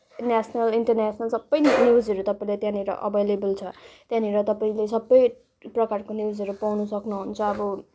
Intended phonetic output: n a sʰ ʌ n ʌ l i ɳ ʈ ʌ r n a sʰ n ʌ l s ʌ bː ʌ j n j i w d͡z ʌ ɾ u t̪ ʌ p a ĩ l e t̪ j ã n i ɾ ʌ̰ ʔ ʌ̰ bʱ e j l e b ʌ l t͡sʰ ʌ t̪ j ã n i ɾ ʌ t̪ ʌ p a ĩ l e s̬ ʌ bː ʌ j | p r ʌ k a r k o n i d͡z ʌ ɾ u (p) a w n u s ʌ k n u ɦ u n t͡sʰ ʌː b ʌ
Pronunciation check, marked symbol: correct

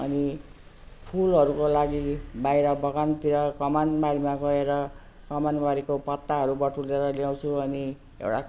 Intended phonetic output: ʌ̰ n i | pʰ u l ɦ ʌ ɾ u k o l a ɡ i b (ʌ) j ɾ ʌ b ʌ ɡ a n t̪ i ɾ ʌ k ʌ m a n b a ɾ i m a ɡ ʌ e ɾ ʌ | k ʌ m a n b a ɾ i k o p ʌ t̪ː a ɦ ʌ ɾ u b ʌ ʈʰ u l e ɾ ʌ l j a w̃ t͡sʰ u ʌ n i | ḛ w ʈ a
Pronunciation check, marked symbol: incorrect: a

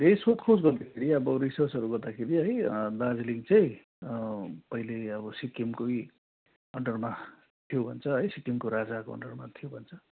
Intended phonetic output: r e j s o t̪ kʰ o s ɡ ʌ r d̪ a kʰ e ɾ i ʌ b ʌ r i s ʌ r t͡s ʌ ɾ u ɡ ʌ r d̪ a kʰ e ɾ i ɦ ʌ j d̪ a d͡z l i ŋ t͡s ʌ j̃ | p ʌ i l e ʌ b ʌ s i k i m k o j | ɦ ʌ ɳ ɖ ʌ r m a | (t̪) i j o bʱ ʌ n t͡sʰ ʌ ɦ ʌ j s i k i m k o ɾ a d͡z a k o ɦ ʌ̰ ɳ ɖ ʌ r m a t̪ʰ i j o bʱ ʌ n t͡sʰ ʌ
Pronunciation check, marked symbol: incorrect: t̪ʰ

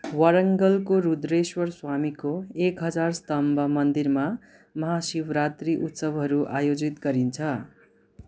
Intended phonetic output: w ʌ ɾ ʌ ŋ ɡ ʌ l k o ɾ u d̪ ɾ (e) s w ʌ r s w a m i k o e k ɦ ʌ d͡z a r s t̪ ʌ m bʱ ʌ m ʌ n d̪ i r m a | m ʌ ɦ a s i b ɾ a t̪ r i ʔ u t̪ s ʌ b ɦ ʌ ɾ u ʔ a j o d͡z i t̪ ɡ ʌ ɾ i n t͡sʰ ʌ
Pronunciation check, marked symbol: correct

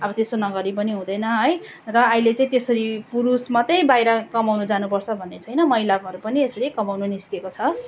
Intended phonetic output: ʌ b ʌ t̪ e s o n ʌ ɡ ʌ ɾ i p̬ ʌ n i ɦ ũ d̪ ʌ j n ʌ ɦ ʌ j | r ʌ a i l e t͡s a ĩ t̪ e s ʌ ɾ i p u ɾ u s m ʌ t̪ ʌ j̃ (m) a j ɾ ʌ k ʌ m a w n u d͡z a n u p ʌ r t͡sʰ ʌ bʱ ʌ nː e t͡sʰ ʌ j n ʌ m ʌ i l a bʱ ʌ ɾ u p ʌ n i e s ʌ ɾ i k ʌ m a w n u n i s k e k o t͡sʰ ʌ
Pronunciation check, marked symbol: incorrect: b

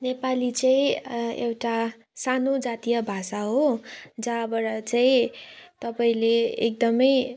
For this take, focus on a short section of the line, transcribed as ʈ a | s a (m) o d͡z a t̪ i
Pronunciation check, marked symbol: incorrect: n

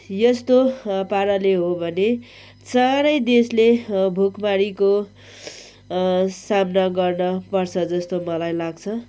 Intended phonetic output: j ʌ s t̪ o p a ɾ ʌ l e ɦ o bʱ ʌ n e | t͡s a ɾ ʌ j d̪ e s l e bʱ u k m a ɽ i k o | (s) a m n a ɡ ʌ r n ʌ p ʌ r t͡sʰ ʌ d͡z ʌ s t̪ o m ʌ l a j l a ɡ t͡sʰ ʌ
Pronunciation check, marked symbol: correct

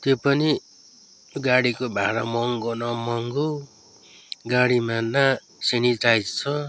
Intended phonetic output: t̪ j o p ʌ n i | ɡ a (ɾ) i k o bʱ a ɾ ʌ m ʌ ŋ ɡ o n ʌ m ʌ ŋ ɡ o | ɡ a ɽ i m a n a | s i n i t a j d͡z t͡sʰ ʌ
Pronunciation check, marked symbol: incorrect: ɽ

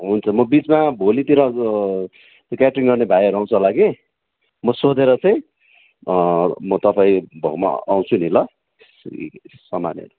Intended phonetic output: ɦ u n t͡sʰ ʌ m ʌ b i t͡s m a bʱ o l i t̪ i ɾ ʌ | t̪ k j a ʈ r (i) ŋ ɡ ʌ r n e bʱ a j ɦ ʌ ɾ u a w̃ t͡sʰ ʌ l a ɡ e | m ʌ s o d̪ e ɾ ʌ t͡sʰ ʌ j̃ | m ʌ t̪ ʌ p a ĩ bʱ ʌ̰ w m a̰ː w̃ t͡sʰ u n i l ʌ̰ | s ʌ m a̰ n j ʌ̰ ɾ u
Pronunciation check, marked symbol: correct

